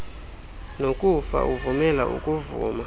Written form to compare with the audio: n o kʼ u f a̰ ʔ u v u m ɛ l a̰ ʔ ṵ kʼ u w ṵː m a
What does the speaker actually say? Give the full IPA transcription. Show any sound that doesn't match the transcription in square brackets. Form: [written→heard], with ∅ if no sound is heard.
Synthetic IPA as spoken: n o kʼ u f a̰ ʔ u v u m ɛ l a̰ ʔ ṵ kʼ u [w→v] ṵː m a